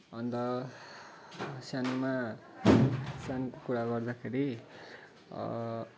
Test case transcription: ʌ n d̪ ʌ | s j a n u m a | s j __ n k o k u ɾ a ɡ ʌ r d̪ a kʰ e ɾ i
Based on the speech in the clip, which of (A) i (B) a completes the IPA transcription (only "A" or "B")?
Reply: B